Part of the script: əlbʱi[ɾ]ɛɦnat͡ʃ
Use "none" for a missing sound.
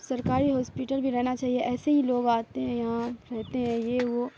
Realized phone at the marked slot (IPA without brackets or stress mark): ɾ